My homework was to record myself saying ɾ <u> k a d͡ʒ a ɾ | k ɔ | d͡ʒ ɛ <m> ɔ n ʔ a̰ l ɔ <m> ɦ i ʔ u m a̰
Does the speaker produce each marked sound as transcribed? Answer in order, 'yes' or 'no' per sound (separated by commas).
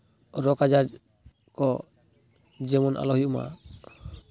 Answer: no, yes, no